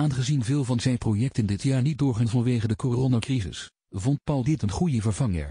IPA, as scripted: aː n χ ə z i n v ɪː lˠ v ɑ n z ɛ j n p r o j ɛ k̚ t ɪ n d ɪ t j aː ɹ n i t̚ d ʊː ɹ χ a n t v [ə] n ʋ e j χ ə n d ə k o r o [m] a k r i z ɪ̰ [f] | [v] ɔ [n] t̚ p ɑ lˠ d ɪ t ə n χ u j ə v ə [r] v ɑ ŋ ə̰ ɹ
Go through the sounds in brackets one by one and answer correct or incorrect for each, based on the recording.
incorrect: ɑ, incorrect: n, incorrect: s, correct, correct, incorrect: ɹ

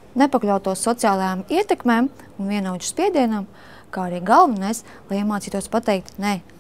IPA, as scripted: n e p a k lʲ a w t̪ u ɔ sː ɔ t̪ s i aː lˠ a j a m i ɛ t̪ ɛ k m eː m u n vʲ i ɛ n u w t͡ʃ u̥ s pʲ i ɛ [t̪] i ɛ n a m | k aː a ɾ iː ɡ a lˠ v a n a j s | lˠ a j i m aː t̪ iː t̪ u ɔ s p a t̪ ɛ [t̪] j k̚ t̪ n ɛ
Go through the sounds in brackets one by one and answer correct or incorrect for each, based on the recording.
incorrect: d̪, incorrect: none

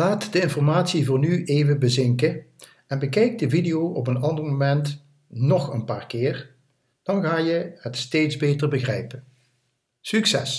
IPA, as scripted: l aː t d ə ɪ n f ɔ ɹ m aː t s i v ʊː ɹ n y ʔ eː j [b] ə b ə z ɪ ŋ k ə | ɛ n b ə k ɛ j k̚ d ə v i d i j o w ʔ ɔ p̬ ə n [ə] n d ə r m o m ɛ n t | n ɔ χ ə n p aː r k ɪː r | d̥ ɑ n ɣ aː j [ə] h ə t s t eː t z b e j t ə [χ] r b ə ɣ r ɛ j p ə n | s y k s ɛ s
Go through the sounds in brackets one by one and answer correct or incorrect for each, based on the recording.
incorrect: v, incorrect: ɑ, correct, incorrect: none

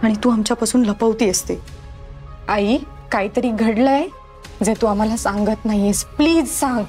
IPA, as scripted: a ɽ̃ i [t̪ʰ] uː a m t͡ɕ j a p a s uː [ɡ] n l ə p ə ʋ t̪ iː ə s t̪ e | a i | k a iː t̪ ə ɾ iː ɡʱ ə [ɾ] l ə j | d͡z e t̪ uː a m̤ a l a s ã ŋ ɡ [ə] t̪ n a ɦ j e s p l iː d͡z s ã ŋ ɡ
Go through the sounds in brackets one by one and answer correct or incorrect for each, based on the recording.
incorrect: t̪, incorrect: none, incorrect: ɽ, correct

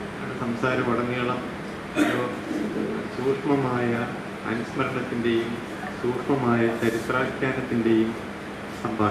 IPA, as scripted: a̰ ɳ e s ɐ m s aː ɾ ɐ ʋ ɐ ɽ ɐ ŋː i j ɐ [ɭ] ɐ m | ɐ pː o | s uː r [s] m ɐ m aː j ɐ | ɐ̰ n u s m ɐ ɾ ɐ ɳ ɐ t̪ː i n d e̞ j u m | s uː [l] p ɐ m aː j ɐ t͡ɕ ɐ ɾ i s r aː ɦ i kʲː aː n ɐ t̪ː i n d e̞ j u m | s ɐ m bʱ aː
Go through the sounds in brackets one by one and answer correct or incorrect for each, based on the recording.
correct, incorrect: ʂ, incorrect: r

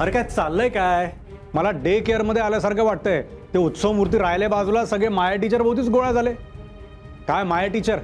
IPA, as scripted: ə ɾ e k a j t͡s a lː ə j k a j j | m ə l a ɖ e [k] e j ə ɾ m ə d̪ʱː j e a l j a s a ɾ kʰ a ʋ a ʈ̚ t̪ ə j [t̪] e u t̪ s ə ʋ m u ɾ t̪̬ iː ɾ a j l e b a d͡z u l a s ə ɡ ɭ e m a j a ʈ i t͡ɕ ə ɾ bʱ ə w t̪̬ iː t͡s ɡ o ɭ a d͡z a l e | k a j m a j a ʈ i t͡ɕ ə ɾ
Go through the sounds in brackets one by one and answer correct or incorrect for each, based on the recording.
correct, correct

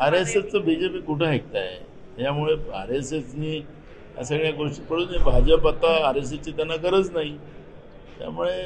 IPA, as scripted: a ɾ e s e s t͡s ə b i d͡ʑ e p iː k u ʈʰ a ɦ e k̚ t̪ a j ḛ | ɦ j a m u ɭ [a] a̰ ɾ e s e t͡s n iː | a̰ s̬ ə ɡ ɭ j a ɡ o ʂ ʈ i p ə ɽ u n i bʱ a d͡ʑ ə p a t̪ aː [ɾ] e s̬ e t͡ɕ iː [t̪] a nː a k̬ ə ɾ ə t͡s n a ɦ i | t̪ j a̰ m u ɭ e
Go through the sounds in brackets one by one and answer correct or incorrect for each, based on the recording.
incorrect: e, correct, correct

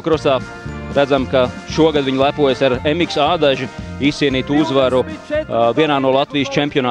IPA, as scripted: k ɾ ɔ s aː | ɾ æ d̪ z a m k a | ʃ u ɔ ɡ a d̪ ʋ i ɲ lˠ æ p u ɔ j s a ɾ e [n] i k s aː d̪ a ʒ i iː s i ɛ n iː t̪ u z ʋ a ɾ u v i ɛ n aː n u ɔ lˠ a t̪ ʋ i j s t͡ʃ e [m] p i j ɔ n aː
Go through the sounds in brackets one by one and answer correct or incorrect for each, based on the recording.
incorrect: m, correct

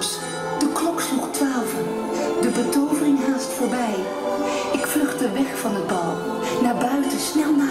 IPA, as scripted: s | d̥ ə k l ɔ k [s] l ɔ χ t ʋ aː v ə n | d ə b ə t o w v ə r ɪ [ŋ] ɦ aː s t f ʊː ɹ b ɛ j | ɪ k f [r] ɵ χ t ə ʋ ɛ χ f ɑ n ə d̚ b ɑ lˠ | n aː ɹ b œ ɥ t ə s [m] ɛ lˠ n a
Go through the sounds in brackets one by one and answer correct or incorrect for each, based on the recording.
correct, correct, incorrect: l, incorrect: n

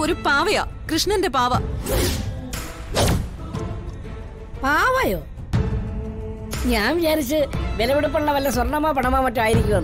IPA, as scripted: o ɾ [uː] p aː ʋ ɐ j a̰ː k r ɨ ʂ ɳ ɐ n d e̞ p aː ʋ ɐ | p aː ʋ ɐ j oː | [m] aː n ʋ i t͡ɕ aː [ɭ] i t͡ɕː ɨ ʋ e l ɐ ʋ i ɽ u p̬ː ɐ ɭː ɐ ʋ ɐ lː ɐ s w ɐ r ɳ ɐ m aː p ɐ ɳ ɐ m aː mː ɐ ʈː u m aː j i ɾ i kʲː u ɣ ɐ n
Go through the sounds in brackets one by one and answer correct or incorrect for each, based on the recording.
incorrect: u, incorrect: ɲ, incorrect: ɾ

